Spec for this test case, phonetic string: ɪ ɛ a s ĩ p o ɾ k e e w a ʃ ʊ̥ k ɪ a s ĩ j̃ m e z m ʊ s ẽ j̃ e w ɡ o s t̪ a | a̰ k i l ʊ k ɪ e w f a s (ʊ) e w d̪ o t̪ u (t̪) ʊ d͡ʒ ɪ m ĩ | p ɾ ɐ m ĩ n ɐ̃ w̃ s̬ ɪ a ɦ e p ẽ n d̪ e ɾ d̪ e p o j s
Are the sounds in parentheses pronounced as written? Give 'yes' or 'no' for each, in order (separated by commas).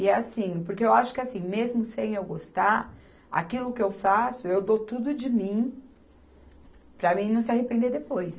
yes, no